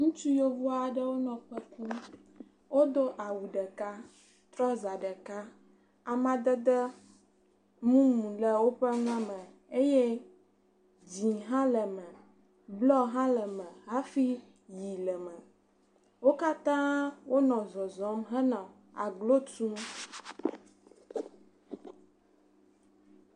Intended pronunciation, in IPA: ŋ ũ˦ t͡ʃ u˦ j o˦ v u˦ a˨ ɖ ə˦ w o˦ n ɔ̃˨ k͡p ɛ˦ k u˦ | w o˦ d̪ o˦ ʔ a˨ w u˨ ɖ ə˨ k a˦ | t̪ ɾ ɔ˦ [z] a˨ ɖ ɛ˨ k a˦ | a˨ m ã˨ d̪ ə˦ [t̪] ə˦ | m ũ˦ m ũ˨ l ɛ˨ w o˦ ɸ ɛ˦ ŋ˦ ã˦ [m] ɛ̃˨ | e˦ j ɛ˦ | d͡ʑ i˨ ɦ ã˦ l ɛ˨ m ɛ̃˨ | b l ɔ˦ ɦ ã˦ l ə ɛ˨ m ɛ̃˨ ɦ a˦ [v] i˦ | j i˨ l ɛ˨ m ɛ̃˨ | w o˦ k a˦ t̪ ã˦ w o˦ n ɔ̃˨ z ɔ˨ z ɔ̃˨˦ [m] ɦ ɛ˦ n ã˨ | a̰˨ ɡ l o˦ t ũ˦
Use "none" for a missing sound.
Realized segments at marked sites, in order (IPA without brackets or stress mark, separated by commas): z, d̪, m, f, m